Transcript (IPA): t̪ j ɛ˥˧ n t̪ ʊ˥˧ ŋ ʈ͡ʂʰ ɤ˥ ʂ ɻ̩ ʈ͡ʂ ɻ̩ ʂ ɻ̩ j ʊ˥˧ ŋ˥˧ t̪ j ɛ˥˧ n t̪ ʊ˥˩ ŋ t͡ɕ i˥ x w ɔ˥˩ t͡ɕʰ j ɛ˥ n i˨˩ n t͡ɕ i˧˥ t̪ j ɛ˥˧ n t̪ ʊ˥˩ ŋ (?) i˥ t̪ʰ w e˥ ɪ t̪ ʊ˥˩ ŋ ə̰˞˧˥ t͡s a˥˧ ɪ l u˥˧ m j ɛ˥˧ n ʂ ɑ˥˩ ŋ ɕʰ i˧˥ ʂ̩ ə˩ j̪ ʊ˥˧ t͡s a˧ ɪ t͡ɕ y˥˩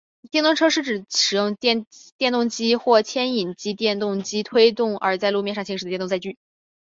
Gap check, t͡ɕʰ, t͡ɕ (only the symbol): t͡ɕ